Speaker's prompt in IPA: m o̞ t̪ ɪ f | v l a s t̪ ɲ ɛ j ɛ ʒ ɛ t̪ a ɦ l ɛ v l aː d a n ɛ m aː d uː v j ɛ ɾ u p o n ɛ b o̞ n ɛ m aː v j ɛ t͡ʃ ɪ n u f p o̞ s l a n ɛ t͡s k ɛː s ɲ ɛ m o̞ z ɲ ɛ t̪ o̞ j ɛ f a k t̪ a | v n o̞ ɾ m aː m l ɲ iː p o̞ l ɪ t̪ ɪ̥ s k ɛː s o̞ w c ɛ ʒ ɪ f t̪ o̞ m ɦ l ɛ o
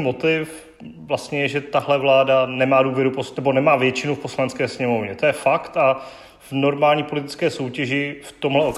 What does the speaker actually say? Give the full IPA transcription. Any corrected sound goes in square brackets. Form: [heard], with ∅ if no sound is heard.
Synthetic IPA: m o̞ t̪ ɪ f | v l a s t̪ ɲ ɛ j ɛ ʒ ɛ t̪ a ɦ l ɛ v l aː d a n ɛ m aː d uː v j ɛ ɾ u p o n ɛ b o̞ n ɛ m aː v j ɛ t͡ʃ ɪ n u f p o̞ s l a n ɛ t͡s k ɛː s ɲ ɛ m o̞ [v] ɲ ɛ t̪ o̞ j ɛ f a k t̪ a | v n o̞ ɾ m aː [∅] l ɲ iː p o̞ l ɪ t̪ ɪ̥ [t͡s] k ɛː s o̞ w c ɛ ʒ ɪ f t̪ o̞ m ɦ l ɛ o